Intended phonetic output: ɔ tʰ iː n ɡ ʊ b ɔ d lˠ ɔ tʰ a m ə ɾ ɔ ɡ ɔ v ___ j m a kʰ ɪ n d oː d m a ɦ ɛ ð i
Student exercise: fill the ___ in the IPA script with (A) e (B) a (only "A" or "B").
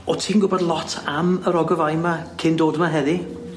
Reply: B